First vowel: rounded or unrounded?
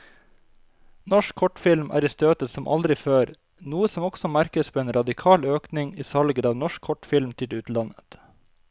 rounded